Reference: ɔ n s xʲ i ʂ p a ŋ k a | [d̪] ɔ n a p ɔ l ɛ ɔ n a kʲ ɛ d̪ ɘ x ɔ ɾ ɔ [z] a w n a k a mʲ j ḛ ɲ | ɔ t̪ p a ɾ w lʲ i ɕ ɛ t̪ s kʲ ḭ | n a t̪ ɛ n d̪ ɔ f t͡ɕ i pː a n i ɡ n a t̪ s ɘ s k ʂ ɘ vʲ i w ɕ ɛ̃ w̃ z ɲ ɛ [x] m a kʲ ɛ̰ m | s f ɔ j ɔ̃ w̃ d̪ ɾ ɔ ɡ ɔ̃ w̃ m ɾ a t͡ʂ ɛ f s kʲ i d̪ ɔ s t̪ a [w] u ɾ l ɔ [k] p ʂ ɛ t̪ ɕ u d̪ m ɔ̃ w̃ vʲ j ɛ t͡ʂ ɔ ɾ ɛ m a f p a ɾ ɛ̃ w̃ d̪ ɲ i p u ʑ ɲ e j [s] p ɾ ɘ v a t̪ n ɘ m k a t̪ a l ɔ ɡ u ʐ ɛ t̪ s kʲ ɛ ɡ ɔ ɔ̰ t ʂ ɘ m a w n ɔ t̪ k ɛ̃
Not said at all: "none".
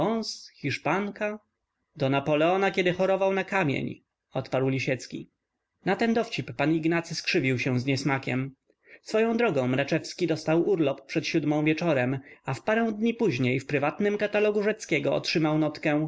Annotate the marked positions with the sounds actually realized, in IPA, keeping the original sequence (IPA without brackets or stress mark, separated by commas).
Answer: d̪, v, s, w, p, f